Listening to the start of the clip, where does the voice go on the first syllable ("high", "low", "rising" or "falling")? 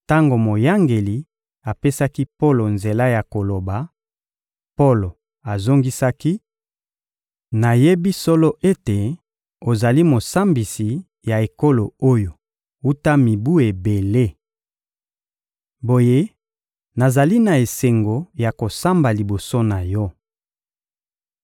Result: high